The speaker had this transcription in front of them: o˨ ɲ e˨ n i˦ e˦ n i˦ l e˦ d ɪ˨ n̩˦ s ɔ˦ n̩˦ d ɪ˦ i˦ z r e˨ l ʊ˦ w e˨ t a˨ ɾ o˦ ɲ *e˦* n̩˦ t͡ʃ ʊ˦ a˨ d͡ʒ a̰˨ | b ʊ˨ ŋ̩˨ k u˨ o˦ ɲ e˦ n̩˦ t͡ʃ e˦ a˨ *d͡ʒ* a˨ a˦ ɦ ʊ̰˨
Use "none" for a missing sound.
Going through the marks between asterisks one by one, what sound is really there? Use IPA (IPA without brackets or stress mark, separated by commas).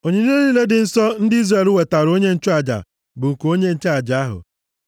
e˦, d͡ʒ